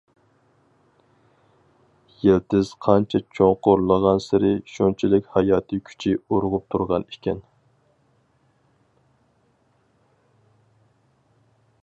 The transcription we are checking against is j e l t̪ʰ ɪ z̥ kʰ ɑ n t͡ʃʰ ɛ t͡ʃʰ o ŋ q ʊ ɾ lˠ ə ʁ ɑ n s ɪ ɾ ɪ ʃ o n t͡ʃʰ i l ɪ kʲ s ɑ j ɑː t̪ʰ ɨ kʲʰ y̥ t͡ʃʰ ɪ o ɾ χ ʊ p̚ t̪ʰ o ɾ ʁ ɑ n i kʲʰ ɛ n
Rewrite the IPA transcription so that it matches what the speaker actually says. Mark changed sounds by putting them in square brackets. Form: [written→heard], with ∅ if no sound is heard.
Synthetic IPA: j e l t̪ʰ ɪ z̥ [kʰ→qʰ] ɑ n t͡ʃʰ ɛ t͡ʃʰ o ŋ q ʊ ɾ lˠ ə ʁ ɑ n s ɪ ɾ ɪ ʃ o n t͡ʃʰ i l ɪ kʲ [s→h] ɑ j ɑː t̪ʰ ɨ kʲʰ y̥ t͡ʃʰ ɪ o ɾ [χ→ʁ] ʊ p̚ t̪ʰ [o→u] ɾ ʁ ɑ n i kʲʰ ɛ n